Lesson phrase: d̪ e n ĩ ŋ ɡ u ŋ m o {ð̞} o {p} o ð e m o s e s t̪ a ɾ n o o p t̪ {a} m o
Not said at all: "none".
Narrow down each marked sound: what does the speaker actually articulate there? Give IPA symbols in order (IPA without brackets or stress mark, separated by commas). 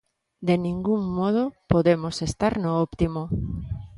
ð̞, p, i